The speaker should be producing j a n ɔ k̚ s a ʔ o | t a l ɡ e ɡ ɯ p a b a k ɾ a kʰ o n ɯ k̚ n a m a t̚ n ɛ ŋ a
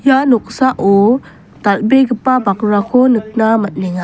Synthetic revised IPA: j a n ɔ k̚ s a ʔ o | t a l b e ɡ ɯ p a b a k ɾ a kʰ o n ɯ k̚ n a m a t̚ n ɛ ŋ a